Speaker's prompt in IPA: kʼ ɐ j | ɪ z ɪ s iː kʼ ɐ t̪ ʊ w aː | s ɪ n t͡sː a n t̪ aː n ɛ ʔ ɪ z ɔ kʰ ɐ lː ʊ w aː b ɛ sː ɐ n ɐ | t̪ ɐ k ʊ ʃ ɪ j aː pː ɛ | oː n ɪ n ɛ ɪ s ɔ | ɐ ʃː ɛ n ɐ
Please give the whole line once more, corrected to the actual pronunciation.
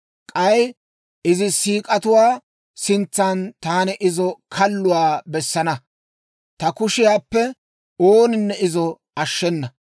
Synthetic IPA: kʼ ɐ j | ɪ z ɪ s iː kʼ ɐ t̪ ʊ w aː | s ɪ n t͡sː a n t̪ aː n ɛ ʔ ɪ z ɔ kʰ ɐ lː ʊ w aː b ɛ sː ɐ n ɐ | t̪ ɐ k ʊ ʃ ɪ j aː pː ɛ | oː n ɪ nː ɛ ɪ z ɔ | ɐ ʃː ɛ nː ɐ